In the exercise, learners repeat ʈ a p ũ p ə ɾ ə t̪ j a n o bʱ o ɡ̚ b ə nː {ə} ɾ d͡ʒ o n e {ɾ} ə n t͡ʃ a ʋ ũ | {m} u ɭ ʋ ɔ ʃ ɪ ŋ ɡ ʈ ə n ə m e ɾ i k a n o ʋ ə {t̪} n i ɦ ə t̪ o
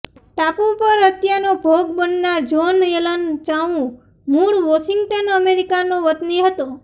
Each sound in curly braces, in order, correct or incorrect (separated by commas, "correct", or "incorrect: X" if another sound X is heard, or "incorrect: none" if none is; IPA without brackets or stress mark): incorrect: a, incorrect: l, correct, correct